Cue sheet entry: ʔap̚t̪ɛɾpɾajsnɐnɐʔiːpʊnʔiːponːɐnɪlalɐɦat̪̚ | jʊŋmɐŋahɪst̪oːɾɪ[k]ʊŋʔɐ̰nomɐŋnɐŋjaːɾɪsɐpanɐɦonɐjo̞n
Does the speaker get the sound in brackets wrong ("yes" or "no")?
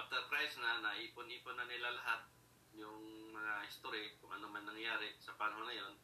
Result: no